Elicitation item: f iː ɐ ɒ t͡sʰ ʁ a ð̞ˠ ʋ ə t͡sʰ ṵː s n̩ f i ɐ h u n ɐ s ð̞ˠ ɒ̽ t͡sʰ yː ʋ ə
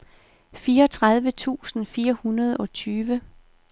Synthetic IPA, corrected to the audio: f iː ɐ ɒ t͡sʰ ʁ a ð̞ˠ ʋ ə t͡sʰ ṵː s n̩ f iː ɐ h u n ɐ ð̞ˠ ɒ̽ t͡sʰ yː ʋ ə